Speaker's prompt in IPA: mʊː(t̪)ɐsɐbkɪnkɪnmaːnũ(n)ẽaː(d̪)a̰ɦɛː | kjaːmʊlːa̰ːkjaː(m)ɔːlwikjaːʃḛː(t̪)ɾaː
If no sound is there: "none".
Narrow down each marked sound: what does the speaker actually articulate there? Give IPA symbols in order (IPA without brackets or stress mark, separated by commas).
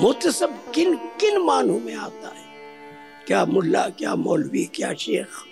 t̪, m, t̪, m, none